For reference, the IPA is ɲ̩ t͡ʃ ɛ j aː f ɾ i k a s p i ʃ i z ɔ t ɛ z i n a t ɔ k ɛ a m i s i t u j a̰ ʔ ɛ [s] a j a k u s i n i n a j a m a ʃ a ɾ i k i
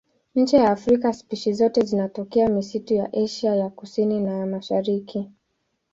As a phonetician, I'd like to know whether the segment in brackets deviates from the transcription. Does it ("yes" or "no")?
yes